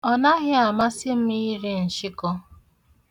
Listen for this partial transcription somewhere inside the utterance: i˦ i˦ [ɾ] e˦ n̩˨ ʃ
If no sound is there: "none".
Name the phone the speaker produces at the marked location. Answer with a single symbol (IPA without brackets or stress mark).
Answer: ɾ